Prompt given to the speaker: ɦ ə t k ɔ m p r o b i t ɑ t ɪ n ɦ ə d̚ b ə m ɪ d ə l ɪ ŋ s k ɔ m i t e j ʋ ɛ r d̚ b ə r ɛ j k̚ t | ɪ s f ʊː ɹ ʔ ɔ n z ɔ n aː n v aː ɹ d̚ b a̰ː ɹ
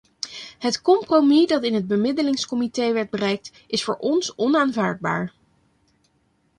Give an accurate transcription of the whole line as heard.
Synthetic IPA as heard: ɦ ə t k ɔ m p r o m i d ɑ t ɪ n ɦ ə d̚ b ə m ɪ d ə l ɪ ŋ s k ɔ m i t e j ʋ ɛ ɹ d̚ b ə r ɛ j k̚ t | ɪ s f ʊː ɹ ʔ ɔ n s ɔ n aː n v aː ɹ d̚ b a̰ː ɹ